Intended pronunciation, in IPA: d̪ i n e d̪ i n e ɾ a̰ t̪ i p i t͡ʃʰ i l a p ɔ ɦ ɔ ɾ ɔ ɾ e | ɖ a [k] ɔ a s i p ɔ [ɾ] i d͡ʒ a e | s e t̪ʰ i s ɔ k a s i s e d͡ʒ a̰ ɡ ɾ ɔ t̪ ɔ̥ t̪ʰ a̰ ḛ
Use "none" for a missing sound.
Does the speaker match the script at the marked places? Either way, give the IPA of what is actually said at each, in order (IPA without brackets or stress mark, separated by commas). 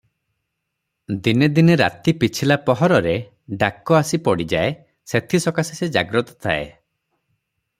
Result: k, ɽ